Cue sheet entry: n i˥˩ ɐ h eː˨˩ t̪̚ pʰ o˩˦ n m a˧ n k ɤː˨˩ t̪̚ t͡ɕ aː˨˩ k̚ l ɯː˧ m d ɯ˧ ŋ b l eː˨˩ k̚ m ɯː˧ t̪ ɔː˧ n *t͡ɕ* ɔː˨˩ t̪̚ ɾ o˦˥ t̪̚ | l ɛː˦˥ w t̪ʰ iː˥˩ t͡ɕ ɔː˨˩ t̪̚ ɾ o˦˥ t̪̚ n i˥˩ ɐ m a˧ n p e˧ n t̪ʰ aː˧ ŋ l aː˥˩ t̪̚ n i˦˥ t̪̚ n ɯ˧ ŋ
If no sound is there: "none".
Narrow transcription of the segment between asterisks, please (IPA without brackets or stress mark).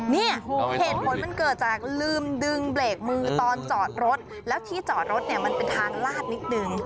t͡ɕ